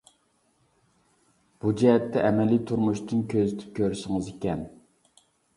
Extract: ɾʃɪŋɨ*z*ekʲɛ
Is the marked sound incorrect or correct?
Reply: correct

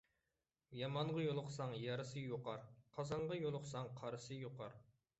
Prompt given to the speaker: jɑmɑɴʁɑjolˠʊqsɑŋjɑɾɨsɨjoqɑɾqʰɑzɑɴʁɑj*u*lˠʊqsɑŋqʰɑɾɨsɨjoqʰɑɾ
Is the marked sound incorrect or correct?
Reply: incorrect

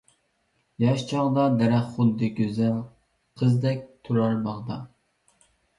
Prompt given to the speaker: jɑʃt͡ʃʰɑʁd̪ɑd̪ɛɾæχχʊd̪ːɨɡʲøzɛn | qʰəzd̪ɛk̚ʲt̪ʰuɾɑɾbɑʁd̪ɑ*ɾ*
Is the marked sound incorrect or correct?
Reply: incorrect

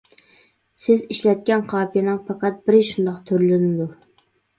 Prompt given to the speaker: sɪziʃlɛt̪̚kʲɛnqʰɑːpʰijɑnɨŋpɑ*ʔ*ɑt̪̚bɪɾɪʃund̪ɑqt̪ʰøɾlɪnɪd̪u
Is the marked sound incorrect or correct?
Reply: incorrect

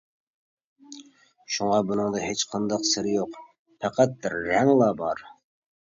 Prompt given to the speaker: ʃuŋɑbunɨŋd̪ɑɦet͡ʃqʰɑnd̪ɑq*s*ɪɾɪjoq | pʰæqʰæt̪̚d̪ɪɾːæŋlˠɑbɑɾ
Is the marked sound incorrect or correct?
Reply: correct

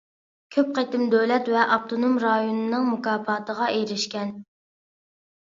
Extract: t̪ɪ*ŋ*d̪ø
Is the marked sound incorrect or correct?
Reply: incorrect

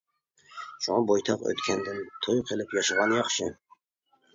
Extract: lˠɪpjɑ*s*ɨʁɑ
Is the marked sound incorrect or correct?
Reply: incorrect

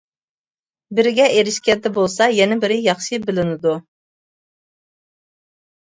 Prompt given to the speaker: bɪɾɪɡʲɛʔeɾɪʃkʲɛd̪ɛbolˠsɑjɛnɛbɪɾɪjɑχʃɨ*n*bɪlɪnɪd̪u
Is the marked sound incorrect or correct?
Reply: incorrect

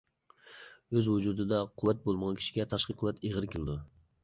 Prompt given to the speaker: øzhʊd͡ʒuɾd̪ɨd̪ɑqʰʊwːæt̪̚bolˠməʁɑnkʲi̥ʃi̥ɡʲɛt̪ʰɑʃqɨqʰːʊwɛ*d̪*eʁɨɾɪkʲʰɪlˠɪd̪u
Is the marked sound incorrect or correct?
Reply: incorrect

